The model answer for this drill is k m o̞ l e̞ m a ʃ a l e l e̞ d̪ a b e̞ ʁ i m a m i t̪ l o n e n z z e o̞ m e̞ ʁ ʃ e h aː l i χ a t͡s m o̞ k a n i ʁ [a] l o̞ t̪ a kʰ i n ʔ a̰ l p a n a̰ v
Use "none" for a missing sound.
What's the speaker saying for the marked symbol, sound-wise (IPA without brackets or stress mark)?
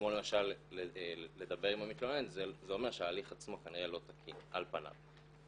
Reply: e